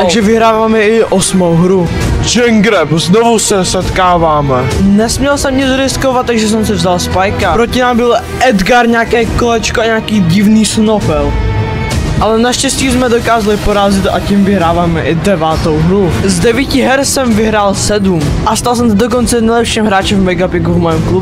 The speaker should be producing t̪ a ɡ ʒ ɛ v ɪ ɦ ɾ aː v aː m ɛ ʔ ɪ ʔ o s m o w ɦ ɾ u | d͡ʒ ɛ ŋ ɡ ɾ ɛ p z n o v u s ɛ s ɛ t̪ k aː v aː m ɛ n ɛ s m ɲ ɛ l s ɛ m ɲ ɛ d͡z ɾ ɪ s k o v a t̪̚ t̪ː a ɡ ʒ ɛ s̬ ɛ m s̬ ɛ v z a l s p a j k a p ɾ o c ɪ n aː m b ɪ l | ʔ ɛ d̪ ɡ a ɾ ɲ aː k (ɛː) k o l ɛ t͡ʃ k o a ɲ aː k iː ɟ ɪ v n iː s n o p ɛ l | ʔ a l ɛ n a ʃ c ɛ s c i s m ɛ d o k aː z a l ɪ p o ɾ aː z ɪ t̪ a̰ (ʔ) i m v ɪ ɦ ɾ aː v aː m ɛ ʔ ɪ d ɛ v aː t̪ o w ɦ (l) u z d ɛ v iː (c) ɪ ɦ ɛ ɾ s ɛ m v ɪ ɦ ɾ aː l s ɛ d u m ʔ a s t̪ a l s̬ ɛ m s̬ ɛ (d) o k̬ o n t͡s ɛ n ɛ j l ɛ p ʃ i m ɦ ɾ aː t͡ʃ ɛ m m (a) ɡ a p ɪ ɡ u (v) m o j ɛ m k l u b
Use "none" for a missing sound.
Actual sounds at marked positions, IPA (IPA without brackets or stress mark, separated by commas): ɛː, c, ɾ, c, d, ɛ, v